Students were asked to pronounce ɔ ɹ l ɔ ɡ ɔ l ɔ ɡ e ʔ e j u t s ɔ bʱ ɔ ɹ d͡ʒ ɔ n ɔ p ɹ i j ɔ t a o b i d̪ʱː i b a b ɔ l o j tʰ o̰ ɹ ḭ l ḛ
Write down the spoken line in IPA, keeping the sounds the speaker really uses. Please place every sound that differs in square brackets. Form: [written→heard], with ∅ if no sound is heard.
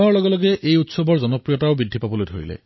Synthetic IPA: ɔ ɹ l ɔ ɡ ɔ l ɔ ɡ e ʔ e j u t s ɔ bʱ ɔ ɹ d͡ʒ ɔ n ɔ p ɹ i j ɔ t a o b i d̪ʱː i [b→p] a b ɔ l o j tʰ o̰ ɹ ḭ l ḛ